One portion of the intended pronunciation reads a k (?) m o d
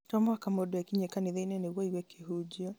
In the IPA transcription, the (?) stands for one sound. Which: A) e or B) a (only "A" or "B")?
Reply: B